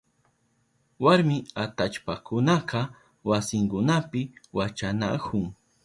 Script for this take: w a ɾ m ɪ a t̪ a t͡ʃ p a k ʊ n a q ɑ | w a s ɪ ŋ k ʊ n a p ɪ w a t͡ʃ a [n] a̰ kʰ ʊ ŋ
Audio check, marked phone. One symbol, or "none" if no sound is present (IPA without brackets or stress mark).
n